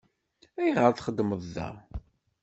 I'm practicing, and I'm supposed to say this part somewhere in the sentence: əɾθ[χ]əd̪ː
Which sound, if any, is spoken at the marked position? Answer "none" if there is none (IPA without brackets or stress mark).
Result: χ